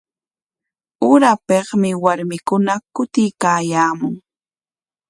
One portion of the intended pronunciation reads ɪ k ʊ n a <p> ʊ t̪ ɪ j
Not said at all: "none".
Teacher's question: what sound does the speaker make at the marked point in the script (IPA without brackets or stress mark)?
k